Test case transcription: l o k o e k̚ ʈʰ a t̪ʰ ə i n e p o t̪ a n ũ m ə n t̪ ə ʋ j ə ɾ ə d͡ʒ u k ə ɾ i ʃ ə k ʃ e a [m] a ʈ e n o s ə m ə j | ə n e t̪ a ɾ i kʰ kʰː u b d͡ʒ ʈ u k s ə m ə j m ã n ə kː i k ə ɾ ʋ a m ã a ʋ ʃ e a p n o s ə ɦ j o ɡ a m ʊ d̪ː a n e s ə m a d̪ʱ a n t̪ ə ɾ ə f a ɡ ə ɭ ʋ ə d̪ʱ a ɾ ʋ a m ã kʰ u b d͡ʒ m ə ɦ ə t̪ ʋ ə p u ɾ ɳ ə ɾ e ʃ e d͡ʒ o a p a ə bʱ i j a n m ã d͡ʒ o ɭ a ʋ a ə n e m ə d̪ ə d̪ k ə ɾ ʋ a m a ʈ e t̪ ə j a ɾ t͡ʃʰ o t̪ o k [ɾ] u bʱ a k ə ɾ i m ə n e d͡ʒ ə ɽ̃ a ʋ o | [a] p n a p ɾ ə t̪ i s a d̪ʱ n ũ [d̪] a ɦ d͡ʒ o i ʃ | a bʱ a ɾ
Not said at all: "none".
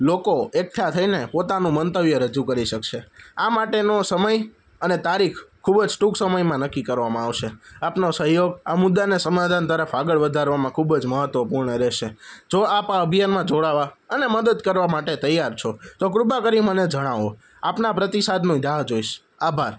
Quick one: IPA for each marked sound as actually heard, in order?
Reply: m, ɾ, a, d̪

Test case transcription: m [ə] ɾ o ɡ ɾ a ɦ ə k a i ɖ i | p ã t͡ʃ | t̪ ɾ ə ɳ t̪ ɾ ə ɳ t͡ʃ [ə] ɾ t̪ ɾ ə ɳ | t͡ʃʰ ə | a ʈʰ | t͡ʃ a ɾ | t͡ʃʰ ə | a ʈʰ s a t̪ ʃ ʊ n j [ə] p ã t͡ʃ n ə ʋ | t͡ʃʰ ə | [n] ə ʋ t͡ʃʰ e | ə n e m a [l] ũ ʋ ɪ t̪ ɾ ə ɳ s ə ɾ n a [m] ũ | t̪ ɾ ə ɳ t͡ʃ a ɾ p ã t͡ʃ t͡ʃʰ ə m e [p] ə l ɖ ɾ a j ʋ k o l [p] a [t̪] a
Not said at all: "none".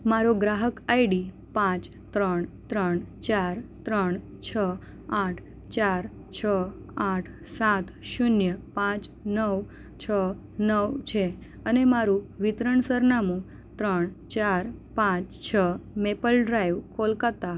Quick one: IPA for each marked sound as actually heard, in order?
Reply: a, a, ə, n, ɾ, m, p, k, t̪

